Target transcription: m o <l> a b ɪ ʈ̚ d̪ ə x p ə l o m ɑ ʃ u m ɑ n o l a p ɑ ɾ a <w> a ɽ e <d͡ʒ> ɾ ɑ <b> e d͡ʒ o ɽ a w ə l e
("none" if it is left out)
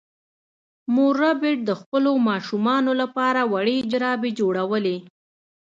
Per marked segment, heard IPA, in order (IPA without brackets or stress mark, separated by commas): ɾ, w, d͡ʒ, b